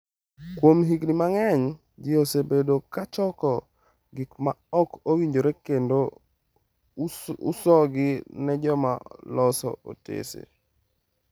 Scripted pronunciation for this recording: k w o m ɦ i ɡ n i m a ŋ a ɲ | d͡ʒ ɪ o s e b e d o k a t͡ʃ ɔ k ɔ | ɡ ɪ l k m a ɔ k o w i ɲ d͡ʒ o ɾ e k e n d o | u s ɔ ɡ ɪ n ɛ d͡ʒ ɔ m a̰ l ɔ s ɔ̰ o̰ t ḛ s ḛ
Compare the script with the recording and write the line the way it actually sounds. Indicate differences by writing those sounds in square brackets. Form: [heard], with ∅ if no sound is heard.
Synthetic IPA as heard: k w o m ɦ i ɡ n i m a ŋ [ɛ] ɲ | d͡ʒ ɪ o s e b e d o k a t͡ʃ ɔ k ɔ | ɡ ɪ [∅] k m a ɔ k o w i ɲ d͡ʒ o ɾ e k e n d o | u s ɔ ɡ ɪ n ɛ d͡ʒ ɔ m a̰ l ɔ s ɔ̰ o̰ t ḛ s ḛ